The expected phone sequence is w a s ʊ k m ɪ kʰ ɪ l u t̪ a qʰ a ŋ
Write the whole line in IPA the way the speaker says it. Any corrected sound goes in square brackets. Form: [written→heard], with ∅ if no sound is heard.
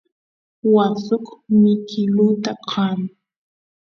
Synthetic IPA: w a s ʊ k m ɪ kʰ ɪ l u t̪ a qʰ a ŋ